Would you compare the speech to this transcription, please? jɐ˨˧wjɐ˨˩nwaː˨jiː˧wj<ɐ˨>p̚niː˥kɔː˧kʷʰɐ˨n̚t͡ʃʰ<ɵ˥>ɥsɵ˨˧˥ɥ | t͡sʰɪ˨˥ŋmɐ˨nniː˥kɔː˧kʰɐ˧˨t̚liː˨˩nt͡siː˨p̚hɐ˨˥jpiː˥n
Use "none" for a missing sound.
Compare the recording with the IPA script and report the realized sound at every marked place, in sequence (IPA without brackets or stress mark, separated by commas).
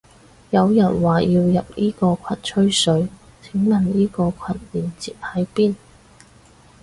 ɐ˨, ɵ˥